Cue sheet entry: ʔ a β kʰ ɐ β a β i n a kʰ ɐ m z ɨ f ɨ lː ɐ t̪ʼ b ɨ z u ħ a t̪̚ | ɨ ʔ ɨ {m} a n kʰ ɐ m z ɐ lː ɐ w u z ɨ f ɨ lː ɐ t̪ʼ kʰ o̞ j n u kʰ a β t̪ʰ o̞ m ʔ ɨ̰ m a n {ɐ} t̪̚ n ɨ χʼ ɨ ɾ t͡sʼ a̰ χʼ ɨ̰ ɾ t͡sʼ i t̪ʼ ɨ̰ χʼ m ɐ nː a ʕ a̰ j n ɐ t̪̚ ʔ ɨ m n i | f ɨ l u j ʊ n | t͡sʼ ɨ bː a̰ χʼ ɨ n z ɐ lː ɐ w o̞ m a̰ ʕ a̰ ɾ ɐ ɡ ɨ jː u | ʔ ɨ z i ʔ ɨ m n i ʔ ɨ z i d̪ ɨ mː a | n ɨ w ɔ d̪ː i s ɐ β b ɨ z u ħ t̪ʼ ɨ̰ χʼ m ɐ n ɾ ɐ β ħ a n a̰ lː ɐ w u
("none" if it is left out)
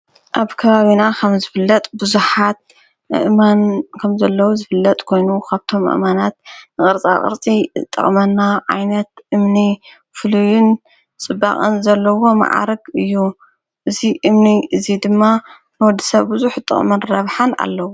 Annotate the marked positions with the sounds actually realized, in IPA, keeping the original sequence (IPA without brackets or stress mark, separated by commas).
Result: m, a